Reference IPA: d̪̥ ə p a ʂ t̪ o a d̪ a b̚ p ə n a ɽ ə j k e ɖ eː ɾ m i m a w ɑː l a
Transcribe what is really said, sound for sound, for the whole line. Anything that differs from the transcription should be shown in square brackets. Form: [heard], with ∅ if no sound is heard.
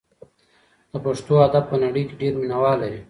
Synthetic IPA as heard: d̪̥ ə p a ʂ t̪ o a d̪ a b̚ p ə n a ɽ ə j k e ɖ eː ɾ m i [n] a w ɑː l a